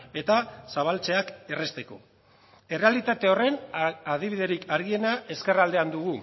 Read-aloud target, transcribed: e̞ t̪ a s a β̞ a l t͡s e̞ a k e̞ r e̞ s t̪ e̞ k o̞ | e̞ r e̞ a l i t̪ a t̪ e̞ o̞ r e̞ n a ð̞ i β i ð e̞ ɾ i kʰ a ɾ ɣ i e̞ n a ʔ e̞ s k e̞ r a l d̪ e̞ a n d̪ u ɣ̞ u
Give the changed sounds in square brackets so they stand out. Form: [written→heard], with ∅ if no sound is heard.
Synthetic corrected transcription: e̞ t̪ a s a β̞ a l t͡s e̞ a k e̞ r e̞ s t̪ e̞ k o̞ | e̞ r e̞ a l i t̪ a t̪ e̞ o̞ r e̞ n a ð̞ i β i ð e̞ ɾ i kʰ a ɾ ɣ i e̞ n a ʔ e̞ s k e̞ r a l d̪ e̞ a n d̪ u ɣ̞ u